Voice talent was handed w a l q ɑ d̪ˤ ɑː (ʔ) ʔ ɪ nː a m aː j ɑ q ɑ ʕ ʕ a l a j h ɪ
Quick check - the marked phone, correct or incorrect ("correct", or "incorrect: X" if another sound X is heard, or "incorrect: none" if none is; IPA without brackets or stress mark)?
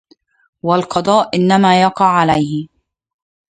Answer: correct